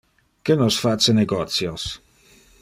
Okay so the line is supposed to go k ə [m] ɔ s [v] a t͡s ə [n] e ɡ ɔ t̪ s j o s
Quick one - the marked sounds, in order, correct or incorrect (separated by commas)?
incorrect, incorrect, correct